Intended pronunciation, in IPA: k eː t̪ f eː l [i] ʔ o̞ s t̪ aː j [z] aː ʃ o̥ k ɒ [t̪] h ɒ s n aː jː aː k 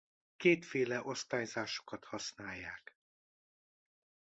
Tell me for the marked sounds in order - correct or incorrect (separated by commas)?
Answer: incorrect, correct, correct